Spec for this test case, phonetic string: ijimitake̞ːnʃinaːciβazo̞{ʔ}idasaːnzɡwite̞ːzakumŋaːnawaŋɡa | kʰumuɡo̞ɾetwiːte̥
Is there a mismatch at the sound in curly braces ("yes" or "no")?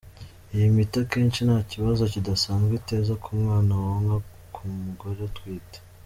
yes